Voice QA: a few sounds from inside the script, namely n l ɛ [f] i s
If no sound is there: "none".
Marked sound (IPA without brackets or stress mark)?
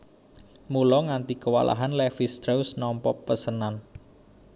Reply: f